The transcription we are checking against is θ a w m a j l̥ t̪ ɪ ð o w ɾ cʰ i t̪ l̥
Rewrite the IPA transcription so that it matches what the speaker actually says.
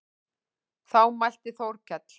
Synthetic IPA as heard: θ a w m a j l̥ t̪ ɪ θ o w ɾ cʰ ɛ t̪ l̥